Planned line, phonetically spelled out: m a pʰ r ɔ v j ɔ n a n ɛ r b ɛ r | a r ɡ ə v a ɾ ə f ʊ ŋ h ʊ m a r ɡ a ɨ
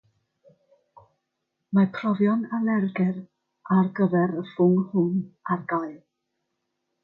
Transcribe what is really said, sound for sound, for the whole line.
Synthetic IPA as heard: m a pʰ r ɔ v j ɔ n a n ɛ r ɡ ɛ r | a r ɡ ə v ɛ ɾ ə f ʊ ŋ h ʊ n a r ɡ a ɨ